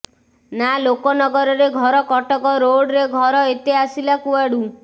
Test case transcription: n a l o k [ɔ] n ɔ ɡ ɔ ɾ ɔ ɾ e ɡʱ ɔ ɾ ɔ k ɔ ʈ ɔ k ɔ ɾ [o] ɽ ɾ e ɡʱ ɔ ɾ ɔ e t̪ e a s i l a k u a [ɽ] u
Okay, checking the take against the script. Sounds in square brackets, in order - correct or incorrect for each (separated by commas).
correct, correct, correct